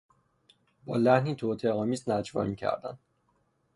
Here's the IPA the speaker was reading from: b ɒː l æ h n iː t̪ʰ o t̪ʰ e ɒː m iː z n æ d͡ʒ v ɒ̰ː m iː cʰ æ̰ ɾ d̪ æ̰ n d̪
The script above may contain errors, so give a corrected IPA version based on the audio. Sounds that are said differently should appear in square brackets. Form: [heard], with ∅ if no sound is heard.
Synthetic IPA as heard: b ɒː l æ h n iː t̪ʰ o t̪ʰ e ɒː m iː z n æ d͡ʒ v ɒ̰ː m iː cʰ æ̰ ɾ d̪ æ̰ n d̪